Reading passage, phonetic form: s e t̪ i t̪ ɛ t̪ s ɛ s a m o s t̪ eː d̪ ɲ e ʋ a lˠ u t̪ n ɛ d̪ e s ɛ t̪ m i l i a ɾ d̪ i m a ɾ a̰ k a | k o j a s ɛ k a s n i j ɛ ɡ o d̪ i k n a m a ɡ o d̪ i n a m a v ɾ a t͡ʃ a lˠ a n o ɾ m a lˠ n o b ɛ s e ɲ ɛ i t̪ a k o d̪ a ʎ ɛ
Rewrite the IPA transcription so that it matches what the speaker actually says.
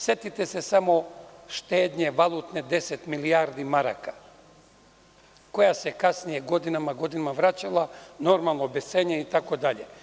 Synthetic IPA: s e t̪ i t̪ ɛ s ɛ s a m o ʃ t̪ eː d̪ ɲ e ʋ a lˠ u t̪ n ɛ d̪ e s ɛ t̪ m i l i a ɾ d̪ i m a ɾ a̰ k a | k o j a s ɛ k a s n i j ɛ ɡ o d̪ i n a m a ɡ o d̪ i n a m a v ɾ a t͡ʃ a lˠ a n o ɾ m a lˠ n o b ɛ s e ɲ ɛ i t̪ a k o d̪ a ʎ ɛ